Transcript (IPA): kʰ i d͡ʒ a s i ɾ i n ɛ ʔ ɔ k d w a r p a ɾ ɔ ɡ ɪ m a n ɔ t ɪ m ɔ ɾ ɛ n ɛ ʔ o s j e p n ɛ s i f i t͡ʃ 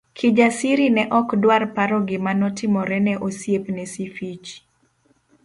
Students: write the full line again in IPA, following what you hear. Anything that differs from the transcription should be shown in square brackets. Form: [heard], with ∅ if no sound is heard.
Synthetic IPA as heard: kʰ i d͡ʒ a s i ɾ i n ɛ ʔ ɔ k d w a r p a ɾ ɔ ɡ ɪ m a n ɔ t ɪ m ɔ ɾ ɛ n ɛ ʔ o s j e p n ɛ s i f i t͡ʃ